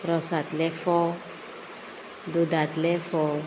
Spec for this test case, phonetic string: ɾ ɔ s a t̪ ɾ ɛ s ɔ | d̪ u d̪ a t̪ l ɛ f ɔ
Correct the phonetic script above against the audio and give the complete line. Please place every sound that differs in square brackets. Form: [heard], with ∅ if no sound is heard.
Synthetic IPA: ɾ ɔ s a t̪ [l] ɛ [f] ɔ | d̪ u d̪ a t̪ l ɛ f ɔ